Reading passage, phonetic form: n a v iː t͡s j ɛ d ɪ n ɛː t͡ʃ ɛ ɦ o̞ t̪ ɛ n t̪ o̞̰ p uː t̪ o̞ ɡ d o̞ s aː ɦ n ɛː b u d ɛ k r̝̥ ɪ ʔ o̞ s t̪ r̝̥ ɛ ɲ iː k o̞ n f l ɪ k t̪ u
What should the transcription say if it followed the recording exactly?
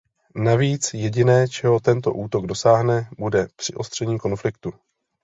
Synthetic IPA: n a v iː t͡s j ɛ ɟ ɪ n ɛː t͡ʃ ɛ ɦ o̞ t̪ ɛ n t̪ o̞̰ ʔ uː t̪ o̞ ɡ d o̞ s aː ɦ n ɛ b u d ɛ p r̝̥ ɪ ʔ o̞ s t̪ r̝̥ ɛ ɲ iː k o̞ n f l ɪ k t̪ u